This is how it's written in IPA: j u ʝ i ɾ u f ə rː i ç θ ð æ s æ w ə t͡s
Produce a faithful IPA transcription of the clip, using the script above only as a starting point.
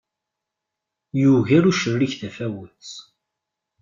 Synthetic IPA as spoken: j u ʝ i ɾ u ʃ ə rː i ç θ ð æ f æ w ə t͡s